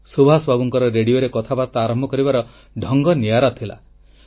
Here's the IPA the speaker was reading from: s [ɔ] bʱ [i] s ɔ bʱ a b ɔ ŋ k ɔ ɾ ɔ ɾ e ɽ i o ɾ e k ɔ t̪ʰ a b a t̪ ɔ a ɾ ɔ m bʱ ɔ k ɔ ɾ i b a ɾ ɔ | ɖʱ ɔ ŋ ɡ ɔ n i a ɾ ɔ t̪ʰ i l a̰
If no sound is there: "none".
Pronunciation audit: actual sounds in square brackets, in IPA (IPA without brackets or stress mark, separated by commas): u, a